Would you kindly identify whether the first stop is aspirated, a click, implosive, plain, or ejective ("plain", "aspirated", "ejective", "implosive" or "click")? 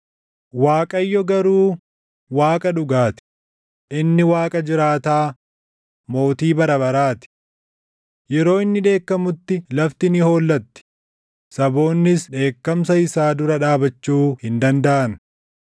ejective